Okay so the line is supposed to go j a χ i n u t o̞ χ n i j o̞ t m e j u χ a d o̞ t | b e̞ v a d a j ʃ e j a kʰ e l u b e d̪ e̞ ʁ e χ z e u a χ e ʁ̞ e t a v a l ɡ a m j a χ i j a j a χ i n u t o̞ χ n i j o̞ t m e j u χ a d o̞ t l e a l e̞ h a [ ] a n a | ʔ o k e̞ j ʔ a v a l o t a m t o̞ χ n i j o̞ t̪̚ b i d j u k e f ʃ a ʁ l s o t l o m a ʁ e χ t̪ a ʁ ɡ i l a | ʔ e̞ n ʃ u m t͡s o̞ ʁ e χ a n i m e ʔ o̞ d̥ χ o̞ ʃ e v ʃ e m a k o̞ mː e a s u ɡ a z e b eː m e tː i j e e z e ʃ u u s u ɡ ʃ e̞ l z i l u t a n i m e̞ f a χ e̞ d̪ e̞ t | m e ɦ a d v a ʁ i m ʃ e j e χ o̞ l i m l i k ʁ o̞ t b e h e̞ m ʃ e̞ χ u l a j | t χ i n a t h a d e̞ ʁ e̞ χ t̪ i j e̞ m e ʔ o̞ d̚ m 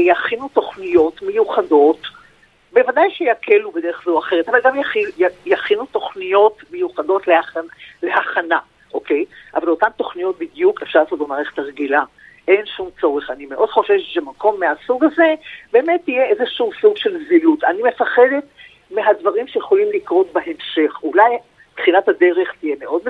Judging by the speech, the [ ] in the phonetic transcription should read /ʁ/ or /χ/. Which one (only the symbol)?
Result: χ